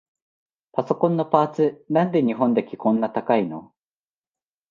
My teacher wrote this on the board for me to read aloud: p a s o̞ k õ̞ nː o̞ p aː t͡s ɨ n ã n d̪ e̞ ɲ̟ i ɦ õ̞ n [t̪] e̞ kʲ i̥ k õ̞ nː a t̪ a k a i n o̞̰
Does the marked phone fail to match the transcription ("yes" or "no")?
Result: yes